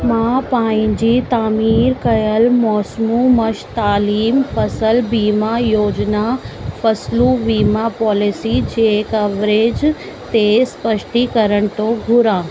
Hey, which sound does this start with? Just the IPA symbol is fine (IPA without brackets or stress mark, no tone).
m